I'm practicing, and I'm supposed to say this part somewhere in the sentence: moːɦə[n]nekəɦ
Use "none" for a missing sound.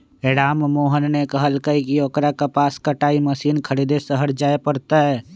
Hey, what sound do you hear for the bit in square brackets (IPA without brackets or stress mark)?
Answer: n